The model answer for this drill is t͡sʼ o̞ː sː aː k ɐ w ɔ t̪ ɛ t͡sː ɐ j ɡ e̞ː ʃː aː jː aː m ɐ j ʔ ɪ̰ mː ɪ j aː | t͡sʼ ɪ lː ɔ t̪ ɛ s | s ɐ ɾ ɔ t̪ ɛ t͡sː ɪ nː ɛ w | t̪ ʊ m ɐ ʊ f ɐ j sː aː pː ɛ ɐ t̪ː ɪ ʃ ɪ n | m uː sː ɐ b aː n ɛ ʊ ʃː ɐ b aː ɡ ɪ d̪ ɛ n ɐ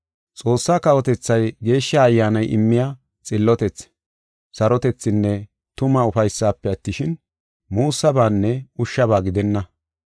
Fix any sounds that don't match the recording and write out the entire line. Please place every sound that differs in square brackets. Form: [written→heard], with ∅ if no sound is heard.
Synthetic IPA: t͡sʼ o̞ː sː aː k ɐ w ɔ t̪ ɛ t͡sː ɐ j ɡ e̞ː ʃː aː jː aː [m→n] ɐ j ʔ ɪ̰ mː ɪ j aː | t͡sʼ ɪ lː ɔ t̪ ɛ [s→t͡s] | s ɐ ɾ ɔ t̪ ɛ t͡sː ɪ nː ɛ [w→∅] | t̪ ʊ m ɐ ʊ f ɐ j sː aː pː ɛ ɐ t̪ː ɪ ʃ ɪ n | m uː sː ɐ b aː [n→nː] ɛ ʊ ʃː ɐ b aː ɡ ɪ d̪ ɛ [n→nː] ɐ